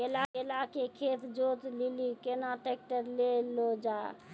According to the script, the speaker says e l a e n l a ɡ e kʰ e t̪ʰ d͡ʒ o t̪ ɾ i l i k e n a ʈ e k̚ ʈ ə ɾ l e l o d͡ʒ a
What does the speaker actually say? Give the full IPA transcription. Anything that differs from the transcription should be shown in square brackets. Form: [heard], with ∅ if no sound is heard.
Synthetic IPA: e l a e [∅] l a [k] e kʰ e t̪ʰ d͡ʒ o t̪ [l] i l i k e n a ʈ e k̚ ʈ ə ɾ l e l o d͡ʒ a